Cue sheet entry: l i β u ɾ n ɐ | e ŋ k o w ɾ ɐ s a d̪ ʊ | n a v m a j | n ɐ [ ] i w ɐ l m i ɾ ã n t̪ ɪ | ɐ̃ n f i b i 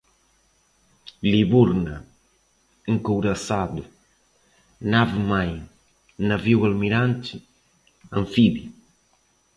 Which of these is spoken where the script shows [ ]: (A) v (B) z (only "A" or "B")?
A